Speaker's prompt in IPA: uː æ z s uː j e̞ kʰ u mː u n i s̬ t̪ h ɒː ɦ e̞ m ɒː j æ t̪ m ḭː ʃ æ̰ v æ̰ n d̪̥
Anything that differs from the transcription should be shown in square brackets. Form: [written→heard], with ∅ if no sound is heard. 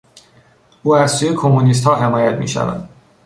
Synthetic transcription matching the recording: uː æ z s uː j e̞ kʰ [u→o] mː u n i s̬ t̪ h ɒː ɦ e̞ m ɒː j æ t̪ m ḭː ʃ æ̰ v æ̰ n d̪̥

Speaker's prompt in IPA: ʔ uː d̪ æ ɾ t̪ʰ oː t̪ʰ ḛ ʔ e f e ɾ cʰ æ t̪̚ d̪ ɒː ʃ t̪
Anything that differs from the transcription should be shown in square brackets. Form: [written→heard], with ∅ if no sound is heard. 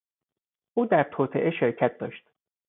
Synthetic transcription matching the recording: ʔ uː d̪ æ ɾ t̪ʰ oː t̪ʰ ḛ ʔ e [f→ʃ] e ɾ cʰ æ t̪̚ d̪ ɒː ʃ t̪

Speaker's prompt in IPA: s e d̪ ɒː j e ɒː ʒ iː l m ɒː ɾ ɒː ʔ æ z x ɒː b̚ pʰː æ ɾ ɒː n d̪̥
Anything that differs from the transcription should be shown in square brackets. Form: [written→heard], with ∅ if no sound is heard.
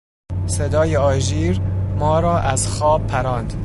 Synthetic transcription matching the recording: s e d̪ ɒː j e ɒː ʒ iː [l→ɾ] m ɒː ɾ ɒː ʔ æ z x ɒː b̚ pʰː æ ɾ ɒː n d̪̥

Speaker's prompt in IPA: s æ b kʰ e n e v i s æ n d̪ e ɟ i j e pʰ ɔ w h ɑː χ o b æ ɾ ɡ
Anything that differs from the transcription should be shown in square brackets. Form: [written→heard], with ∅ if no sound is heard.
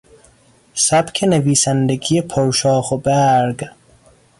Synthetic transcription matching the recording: s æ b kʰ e n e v [i→iː] s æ n d̪ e [ɟ→ɡ] i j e pʰ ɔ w [h→ʃ] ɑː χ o b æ ɾ ɡ

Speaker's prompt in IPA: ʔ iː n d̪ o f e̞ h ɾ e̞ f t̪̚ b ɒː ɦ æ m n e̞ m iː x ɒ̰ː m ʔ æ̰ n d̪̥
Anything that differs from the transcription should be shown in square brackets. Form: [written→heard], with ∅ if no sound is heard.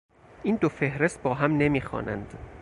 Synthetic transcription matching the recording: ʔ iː n d̪ o f e̞ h ɾ e̞ [f→s] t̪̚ b ɒː ɦ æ m n e̞ m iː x ɒ̰ː [m→n] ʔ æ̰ n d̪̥

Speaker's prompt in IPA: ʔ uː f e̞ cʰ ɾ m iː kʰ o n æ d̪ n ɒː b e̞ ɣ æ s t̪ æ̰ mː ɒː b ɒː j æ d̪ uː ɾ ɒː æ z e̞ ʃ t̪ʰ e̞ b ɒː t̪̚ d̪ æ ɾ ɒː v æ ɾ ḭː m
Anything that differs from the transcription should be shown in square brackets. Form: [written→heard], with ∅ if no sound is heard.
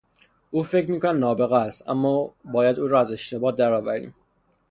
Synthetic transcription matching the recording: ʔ uː f e̞ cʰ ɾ m iː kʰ o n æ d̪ n ɒː b e̞ ɣ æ s t̪ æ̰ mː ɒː b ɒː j æ d̪ uː ɾ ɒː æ z e̞ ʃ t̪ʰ e̞ b ɒː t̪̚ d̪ æ ɾ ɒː v æ ɾ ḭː m

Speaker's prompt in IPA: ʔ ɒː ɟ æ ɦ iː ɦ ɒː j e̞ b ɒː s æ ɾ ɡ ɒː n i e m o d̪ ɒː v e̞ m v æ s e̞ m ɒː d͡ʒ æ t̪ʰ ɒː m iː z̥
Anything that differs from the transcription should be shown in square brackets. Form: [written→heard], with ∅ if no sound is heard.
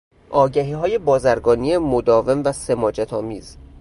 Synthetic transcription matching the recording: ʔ ɒː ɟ æ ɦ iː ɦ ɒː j e̞ b ɒː [s→z] æ ɾ ɡ ɒː n i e m o d̪ ɒː v e̞ m v æ s e̞ m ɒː d͡ʒ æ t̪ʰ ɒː m iː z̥

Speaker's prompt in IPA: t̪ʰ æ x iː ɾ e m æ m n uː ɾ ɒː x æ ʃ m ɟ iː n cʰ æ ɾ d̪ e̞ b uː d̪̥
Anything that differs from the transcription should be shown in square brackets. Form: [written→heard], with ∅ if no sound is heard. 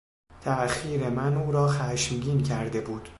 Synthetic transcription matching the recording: t̪ʰ æ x iː ɾ e m æ [m→∅] n uː ɾ ɒː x æ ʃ m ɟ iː n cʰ æ ɾ d̪ e̞ b uː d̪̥

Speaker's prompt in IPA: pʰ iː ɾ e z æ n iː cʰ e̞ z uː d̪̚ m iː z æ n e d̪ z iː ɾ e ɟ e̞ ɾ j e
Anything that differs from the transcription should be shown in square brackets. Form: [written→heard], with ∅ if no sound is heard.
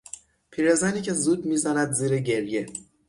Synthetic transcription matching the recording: pʰ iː ɾ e z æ n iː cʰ e̞ z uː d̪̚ m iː z æ n [e→æ] d̪ z iː ɾ e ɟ e̞ ɾ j e

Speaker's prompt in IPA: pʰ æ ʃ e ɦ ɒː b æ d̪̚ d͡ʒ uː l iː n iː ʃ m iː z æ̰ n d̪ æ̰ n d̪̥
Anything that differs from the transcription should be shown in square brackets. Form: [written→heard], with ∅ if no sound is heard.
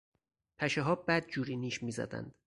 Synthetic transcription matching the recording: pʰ æ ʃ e ɦ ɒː b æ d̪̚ d͡ʒ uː [l→ɾ] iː n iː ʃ m iː z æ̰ [n→∅] d̪ æ̰ n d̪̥

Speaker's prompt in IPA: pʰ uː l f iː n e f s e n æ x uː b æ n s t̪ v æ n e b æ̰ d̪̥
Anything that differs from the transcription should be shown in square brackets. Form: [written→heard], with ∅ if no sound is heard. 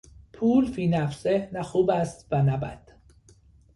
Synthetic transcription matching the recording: pʰ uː l f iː n [e→æ] f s e n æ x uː b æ [n→∅] s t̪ v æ n [e→æ] b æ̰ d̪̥

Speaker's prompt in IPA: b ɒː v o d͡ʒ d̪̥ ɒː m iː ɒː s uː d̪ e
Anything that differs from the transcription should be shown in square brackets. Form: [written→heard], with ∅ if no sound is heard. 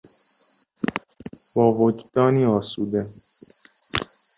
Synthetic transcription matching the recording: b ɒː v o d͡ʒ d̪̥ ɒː [m→n] iː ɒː s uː d̪ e

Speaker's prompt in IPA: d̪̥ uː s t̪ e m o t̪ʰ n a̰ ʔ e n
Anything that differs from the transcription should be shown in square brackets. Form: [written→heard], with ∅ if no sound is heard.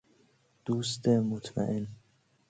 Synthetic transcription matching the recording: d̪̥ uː s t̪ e m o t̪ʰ [n→m] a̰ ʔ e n

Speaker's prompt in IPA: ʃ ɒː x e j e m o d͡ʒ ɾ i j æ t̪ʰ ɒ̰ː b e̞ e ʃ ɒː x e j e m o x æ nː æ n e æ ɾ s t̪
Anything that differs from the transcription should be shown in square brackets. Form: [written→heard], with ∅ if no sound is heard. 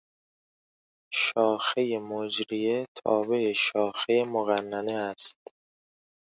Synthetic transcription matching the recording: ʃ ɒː x e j e m o d͡ʒ ɾ i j [æ→e] t̪ʰ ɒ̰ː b e̞ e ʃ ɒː x e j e m o [x→ɣ] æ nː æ n e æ [ɾ→∅] s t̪

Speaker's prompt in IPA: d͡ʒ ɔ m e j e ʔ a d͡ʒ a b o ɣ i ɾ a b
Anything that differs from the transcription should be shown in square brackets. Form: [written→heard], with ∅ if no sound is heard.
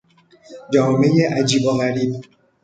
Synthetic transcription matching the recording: d͡ʒ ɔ m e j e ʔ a d͡ʒ [a→i] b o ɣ [i→a] ɾ [a→i] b

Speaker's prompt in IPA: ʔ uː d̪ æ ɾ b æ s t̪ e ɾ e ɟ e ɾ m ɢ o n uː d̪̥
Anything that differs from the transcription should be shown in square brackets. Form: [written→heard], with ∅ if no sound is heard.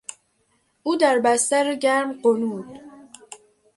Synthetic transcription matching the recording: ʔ uː d̪ æ ɾ b æ s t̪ [e→æ] ɾ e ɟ [e→æ] ɾ m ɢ o n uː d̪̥

